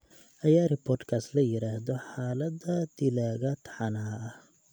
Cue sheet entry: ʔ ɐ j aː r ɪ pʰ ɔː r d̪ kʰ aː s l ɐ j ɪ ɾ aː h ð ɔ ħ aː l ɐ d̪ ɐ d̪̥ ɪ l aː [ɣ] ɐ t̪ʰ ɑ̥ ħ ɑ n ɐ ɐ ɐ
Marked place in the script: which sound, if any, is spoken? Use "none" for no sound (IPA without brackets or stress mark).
ɣ